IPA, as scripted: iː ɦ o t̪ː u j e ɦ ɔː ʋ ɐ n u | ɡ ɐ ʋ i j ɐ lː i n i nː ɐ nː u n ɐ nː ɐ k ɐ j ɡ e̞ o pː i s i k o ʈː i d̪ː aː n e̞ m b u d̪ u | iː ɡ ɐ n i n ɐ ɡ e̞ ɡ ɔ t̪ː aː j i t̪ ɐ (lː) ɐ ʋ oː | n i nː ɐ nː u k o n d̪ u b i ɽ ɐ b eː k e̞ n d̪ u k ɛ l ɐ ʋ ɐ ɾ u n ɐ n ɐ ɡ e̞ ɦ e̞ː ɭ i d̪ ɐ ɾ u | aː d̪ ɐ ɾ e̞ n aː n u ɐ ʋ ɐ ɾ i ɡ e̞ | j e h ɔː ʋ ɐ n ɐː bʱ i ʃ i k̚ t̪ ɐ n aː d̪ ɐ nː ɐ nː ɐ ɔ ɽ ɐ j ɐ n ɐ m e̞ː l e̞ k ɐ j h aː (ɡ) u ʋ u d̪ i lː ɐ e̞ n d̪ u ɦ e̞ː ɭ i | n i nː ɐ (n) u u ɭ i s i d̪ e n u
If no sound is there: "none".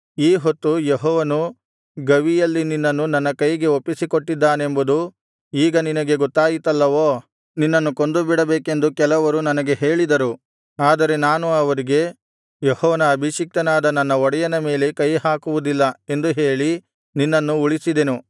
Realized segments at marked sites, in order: lː, k, nː

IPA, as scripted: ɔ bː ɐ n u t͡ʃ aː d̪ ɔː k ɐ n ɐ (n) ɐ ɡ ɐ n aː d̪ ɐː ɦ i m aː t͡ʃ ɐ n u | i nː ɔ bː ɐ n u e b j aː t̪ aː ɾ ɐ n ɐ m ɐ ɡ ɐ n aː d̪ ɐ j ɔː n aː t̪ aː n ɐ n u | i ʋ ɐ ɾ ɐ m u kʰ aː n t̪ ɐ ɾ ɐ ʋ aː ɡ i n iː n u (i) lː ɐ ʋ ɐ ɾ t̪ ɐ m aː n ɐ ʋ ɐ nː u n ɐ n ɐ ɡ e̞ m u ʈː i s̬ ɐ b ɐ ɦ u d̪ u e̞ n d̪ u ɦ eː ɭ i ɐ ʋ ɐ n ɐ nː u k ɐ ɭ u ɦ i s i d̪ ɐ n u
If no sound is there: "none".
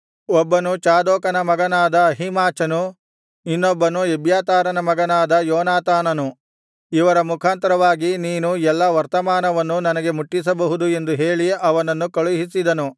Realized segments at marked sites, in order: m, ɛ

